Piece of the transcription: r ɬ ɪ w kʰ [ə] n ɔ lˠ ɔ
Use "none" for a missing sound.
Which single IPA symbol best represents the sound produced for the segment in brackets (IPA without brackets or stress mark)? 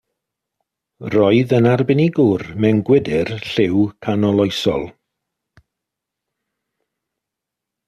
a